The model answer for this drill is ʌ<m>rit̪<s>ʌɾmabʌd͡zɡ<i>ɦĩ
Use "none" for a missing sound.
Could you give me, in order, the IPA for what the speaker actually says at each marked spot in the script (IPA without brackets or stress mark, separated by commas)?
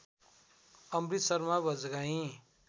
m, s, a